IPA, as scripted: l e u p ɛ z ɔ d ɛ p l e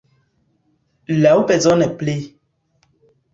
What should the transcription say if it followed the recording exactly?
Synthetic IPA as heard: l a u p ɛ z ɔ n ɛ p l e